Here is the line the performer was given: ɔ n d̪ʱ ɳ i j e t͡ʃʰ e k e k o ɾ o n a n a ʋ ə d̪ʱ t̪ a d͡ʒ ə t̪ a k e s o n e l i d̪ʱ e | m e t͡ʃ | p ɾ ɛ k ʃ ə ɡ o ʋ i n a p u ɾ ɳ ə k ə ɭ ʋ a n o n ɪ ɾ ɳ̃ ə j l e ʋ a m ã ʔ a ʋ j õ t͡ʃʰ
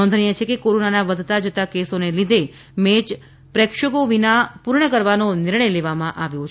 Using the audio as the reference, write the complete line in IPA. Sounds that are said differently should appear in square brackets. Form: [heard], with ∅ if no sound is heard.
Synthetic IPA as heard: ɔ n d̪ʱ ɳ i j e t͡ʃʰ e k e k o ɾ o n a n a ʋ ə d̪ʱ t̪ a d͡ʒ ə t̪ a k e s o n e l i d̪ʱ e | m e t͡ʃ | p ɾ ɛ k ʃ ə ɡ o ʋ i n a p u ɾ ɳ ə k ə [ɾ] ʋ a n o n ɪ ɾ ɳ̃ ə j l e ʋ a m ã ʔ a ʋ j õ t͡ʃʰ

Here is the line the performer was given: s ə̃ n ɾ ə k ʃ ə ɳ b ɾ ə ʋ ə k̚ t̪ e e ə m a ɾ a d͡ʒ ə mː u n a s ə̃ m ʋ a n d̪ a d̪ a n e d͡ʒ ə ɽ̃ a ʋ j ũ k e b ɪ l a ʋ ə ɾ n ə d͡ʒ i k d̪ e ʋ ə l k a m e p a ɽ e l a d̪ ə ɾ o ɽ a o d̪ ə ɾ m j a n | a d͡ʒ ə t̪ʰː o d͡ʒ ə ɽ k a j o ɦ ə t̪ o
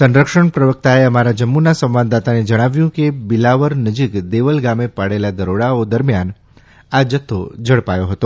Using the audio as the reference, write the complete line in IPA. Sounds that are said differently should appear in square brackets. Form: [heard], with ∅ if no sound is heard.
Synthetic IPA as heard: s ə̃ n ɾ ə k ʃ ə ɳ [p] ɾ ə ʋ ə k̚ t̪ [a] e ə m a ɾ a d͡ʒ ə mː u n a s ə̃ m ʋ a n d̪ a [t̪] a n e d͡ʒ ə ɽ̃ a ʋ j ũ k e b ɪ l a ʋ ə ɾ n ə d͡ʒ i k d̪ e ʋ ə l [ɡ] a m e p a ɽ e l a d̪ ə ɾ o ɽ a o d̪ ə ɾ m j a n | a d͡ʒ ə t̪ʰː o d͡ʒ ə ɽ [p] a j o ɦ ə t̪ o

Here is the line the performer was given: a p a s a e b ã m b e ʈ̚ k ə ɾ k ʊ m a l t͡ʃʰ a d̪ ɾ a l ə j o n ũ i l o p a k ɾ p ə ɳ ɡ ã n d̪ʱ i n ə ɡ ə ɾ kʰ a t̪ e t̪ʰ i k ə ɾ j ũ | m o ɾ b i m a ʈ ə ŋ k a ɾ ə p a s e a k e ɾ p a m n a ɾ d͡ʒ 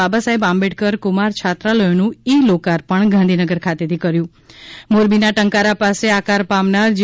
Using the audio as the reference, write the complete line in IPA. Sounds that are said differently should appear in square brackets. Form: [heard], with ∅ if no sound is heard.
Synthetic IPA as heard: a [b] a s a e b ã m b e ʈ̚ k ə ɾ k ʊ m a [ɾ] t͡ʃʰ a [t̪] ɾ a l ə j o n ũ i l o [k] a [∅] ɾ p ə ɳ ɡ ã n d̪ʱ i n ə ɡ ə ɾ kʰ a t̪ e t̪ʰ i k ə ɾ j ũ | m o ɾ b i [n] a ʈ ə ŋ k a ɾ [a] p a s e a k [a] ɾ p a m n a ɾ d͡ʒ

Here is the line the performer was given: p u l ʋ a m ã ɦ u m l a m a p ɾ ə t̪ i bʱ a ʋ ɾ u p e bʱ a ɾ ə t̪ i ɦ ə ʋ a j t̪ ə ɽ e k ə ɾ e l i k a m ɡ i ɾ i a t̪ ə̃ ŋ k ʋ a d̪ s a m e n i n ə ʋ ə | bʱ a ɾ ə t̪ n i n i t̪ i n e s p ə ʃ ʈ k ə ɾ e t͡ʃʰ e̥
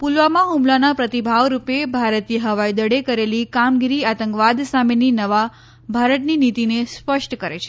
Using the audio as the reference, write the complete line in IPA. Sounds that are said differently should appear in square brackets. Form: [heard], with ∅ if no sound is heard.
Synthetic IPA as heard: p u l ʋ a m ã ɦ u m l a [n] a p ɾ ə t̪ i bʱ a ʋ ɾ u p e bʱ a ɾ ə t̪ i ɦ ə ʋ a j [d̪] ə ɽ e k ə ɾ e l i k a m ɡ i ɾ i a t̪ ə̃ ŋ k ʋ a d̪ s a m e n i n ə ʋ [a] | bʱ a ɾ ə t̪ n i n i t̪ i n e s p ə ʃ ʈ k ə ɾ e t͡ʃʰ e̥

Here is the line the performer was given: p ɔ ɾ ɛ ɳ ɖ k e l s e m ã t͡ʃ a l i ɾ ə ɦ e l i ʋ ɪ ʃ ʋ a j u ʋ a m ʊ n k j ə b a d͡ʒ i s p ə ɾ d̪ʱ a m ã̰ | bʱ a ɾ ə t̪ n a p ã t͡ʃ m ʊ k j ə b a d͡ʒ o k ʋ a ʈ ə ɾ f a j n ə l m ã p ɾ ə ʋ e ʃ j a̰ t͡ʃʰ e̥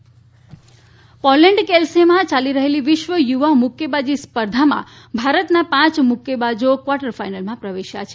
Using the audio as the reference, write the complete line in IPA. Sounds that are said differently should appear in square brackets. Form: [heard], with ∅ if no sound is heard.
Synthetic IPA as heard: p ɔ [l] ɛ ɳ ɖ k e l s e m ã t͡ʃ a l i ɾ ə ɦ e l i ʋ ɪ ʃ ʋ [ə] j u ʋ a m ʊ [∅] k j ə b a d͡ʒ i s p ə ɾ d̪ʱ a m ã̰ | bʱ a ɾ ə t̪ n a p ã t͡ʃ m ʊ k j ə b a d͡ʒ o k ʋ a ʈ ə ɾ f a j n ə l m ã p ɾ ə ʋ e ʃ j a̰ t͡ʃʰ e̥

